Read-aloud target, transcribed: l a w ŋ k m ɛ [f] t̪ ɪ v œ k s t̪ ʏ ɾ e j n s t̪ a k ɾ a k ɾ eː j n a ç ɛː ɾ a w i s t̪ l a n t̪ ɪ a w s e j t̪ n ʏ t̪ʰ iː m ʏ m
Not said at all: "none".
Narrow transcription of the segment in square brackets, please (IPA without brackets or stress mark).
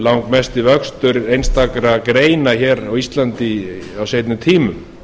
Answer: s